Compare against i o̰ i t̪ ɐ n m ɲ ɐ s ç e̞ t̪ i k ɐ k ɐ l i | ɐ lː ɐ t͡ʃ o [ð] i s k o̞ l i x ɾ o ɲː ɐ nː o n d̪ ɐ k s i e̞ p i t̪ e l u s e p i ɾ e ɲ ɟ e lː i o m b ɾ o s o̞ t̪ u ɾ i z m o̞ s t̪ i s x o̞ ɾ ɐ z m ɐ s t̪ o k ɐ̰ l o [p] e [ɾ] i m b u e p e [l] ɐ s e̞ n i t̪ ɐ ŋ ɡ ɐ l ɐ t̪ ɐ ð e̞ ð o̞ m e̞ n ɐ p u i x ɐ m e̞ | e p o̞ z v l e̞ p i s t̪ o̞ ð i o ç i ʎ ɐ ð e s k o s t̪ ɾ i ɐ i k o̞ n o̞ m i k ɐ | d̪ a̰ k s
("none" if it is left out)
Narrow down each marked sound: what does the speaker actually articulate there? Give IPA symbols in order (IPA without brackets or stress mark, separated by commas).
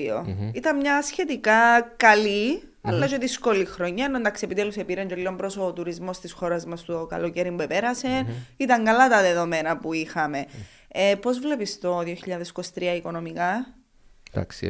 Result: ð, c, ɾ, ɾ